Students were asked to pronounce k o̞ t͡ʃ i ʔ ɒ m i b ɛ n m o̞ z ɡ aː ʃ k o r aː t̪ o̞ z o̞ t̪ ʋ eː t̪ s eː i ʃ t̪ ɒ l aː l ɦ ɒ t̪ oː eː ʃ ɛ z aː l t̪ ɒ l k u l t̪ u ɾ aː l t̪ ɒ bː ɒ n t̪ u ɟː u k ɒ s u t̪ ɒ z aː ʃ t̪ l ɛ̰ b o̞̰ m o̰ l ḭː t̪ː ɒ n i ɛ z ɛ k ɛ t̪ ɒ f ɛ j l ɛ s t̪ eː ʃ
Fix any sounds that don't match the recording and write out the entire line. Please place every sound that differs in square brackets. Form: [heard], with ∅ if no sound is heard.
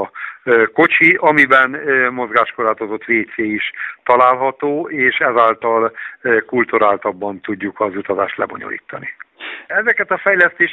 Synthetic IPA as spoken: k o̞ t͡ʃ i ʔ ɒ m i b ɛ n m o̞ z ɡ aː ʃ k o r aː t̪ o̞ z o̞ t̪ ʋ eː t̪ s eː i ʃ t̪ ɒ l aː l ɦ ɒ t̪ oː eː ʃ ɛ z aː l t̪ ɒ l k u l t̪ u ɾ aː l t̪ ɒ bː ɒ n t̪ u ɟː u k ɒ [z] u t̪ ɒ z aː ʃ t̪ l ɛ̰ b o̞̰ [ɲ] o̰ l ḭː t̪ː ɒ n i ɛ z ɛ k ɛ t̪ ɒ f ɛ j l ɛ s t̪ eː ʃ